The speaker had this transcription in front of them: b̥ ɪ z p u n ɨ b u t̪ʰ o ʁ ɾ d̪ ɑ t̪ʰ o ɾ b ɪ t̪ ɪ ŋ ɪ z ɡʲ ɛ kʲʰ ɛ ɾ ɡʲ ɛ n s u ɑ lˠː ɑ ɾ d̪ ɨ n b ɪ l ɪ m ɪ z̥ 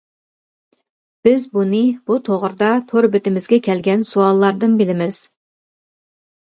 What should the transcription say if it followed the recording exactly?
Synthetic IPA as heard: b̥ ɪ z b u n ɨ b u t̪ʰ o ʁ ɾ d̪ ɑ t̪ʰ o ɾ b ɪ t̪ ɪ m ɪ z ɡʲ ɛ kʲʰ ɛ l ɡʲ ɛ n s u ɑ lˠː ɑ ɾ d̪ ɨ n b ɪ l ɪ m ɪ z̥